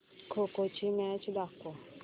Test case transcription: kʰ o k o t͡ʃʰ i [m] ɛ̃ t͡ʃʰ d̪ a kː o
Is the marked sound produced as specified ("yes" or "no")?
yes